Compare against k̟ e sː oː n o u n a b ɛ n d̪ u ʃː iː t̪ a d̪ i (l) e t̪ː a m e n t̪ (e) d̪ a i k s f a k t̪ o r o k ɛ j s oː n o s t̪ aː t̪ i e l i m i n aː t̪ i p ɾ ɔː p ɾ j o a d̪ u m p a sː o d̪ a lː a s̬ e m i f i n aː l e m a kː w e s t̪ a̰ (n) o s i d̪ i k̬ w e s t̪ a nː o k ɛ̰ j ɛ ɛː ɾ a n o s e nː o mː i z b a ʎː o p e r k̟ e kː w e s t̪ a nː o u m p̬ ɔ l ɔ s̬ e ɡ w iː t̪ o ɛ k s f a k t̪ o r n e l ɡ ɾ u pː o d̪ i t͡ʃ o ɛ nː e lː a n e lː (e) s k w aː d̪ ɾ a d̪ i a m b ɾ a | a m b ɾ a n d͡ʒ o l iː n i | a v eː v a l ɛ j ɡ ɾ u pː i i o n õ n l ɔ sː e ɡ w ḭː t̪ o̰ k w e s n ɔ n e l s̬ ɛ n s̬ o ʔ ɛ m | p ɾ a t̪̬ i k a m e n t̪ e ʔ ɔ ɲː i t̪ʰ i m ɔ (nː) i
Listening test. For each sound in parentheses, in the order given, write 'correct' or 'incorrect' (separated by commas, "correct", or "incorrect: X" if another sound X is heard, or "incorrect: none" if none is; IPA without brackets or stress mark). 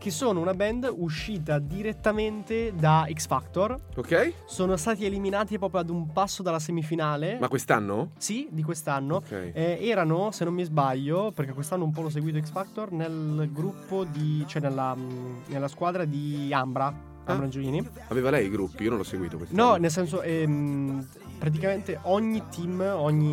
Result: incorrect: ɾ, correct, incorrect: nː, incorrect: a, incorrect: ɲː